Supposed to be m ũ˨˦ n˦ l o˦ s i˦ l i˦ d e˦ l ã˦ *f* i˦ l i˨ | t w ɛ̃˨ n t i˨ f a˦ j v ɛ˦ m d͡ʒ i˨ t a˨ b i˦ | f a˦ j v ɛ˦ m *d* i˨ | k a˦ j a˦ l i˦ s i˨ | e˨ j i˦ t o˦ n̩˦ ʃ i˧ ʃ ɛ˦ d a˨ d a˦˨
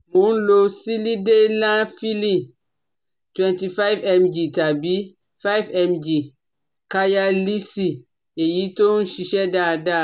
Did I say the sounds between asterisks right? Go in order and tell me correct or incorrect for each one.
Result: correct, incorrect

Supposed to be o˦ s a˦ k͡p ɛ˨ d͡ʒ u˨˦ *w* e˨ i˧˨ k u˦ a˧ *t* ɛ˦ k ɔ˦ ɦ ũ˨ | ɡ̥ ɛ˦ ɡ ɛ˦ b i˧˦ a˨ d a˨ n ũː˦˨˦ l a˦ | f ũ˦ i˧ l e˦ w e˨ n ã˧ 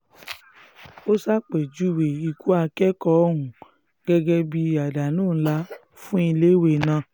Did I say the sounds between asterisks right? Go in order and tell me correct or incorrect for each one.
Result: correct, incorrect

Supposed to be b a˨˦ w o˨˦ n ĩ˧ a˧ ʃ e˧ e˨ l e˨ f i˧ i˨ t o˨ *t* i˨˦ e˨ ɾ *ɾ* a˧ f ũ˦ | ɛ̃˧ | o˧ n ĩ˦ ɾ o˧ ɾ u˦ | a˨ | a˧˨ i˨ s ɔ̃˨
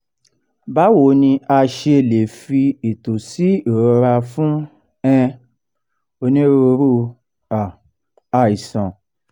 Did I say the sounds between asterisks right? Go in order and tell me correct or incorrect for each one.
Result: incorrect, correct

